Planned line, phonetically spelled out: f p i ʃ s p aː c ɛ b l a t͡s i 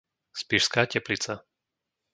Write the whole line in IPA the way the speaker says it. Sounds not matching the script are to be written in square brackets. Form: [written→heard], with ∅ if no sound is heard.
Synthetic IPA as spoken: [f→s] p i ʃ s [p→k] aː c ɛ [b→p] l [a→i] t͡s [i→a]